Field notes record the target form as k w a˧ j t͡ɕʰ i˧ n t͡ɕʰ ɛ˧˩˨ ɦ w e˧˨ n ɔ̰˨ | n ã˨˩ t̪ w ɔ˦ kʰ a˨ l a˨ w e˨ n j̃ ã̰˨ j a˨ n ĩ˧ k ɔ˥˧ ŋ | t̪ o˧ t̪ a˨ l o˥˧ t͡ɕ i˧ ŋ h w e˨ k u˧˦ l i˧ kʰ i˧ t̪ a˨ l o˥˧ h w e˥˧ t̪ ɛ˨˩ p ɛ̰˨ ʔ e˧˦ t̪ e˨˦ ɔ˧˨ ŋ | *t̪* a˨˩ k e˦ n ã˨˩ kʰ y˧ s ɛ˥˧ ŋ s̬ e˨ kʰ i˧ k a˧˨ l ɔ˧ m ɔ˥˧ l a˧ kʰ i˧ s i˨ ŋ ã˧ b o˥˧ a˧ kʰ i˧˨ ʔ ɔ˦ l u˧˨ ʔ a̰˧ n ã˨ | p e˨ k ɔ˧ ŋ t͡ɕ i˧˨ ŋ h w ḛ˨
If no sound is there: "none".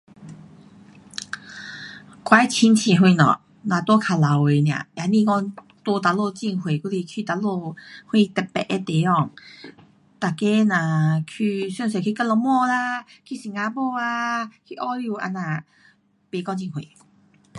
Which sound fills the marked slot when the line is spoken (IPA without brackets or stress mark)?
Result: t̪